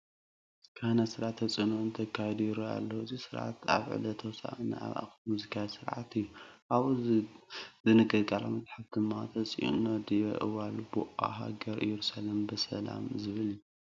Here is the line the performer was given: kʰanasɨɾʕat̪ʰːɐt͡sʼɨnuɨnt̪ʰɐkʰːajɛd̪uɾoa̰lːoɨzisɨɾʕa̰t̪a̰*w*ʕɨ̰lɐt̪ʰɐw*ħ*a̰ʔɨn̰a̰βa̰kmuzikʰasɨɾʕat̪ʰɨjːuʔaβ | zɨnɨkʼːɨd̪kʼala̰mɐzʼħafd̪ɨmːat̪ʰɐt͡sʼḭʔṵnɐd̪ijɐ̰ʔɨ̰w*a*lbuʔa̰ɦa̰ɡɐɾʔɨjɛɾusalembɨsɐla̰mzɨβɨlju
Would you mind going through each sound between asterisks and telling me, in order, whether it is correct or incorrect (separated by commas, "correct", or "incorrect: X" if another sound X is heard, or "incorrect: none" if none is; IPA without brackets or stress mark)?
incorrect: β, incorrect: s, correct